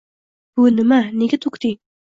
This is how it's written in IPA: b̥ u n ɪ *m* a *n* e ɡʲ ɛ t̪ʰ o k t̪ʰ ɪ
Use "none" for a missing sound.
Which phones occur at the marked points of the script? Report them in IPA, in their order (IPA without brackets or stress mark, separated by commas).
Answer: m, n